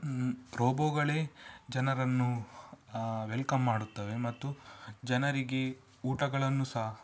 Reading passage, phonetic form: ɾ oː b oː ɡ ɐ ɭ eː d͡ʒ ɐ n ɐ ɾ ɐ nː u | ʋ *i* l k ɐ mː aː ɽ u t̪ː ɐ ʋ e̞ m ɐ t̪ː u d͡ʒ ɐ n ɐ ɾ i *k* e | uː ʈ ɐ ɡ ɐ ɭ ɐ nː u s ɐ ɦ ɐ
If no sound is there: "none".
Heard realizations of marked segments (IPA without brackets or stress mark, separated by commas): e, ɡ